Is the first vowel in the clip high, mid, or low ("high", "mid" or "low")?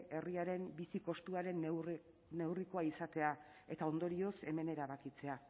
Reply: mid